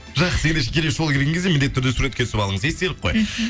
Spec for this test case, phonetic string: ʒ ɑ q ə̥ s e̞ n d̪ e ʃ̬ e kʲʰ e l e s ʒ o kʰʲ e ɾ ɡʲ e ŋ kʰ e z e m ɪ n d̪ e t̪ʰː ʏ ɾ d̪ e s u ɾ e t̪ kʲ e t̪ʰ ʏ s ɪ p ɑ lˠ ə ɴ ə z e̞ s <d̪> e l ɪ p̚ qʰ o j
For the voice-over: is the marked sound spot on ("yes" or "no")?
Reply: no